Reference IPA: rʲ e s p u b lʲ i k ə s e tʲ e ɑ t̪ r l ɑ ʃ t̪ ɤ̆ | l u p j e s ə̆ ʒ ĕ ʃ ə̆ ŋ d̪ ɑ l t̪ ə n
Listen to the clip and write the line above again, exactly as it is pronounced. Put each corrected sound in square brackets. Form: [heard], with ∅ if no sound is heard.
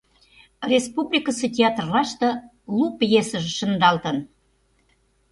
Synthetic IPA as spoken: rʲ e s p u b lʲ i k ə s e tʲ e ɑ t̪ r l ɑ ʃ t̪ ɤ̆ | l u p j e s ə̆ ʒ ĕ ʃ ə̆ [n] d̪ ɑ l t̪ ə n